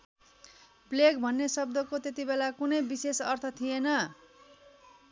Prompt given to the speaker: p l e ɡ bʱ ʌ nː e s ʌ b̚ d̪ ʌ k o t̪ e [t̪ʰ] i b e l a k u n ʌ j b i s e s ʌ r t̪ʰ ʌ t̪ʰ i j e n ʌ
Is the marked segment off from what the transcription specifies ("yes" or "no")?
yes